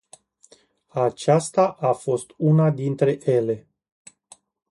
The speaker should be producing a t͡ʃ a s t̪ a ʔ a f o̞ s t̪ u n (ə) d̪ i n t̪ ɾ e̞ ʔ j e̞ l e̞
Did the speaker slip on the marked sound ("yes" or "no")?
yes